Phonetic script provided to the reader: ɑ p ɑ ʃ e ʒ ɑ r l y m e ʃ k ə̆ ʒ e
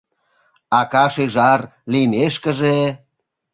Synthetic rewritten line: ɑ k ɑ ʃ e ʒ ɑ r l i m e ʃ k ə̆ ʒ e